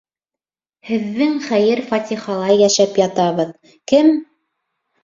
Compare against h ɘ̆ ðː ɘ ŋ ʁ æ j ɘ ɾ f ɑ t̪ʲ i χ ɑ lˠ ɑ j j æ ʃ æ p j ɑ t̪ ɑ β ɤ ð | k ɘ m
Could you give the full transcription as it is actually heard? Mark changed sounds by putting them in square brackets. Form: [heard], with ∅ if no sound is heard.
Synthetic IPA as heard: h ɘ̆ ðː ɘ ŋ [χ] æ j ɘ ɾ f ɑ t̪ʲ i χ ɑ lˠ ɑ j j æ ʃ æ p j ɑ t̪ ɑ β ɤ ð | k ɘ m